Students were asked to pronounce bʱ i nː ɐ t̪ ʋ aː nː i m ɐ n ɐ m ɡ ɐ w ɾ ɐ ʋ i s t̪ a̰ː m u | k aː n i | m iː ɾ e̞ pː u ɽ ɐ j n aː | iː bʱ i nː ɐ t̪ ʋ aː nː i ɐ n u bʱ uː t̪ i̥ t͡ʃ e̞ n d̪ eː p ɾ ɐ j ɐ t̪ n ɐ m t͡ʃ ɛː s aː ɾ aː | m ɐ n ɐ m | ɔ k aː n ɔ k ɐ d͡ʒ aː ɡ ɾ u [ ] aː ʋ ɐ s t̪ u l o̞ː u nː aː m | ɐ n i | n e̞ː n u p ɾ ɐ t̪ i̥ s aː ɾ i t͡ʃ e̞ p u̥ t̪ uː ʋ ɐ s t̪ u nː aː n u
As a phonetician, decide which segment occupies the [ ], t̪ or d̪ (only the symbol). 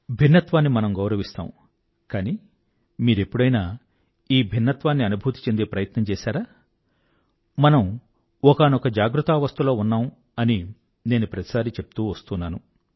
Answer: t̪